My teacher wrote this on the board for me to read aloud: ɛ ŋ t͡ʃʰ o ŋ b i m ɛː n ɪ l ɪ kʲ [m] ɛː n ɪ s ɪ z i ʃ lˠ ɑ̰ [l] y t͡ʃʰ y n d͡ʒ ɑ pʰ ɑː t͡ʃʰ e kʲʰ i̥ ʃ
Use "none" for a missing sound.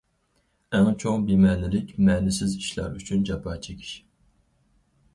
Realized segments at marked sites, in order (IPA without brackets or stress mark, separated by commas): m, ɾ